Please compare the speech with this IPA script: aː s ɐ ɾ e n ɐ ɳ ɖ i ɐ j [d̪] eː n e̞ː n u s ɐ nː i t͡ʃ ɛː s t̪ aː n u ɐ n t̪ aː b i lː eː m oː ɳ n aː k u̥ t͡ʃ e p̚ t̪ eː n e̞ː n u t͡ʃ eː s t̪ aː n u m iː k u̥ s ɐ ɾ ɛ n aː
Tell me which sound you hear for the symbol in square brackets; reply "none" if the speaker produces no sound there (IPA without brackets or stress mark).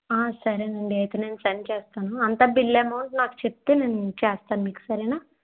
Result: t̪